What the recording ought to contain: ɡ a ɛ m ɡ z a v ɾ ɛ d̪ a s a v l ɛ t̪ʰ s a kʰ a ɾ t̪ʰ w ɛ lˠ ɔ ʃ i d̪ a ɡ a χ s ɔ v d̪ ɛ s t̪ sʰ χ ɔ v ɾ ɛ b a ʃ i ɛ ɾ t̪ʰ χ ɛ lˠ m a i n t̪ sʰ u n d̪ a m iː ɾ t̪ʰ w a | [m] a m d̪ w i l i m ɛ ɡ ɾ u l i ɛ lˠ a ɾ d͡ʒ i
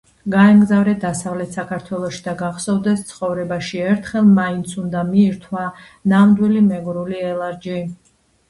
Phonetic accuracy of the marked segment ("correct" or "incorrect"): incorrect